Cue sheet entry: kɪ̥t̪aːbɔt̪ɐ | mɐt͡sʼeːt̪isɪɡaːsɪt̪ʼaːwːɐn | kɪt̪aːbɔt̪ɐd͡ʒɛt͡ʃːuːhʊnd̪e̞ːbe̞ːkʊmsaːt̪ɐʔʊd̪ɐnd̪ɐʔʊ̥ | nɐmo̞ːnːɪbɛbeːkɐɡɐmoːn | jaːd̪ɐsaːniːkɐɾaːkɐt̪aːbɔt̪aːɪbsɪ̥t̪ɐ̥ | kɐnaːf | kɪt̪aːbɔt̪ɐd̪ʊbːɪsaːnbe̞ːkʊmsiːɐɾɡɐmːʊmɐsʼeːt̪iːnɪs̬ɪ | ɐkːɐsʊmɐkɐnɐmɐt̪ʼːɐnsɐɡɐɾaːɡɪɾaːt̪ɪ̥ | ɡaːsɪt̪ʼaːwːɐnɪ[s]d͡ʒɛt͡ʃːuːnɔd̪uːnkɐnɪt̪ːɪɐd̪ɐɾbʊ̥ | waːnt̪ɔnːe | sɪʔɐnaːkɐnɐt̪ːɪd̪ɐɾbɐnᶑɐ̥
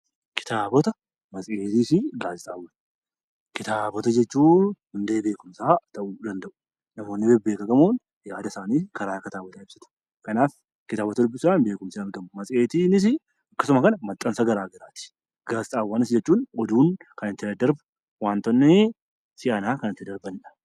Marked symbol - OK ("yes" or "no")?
yes